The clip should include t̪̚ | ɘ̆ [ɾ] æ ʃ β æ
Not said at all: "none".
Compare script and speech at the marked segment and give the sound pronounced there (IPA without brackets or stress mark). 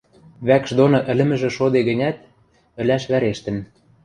l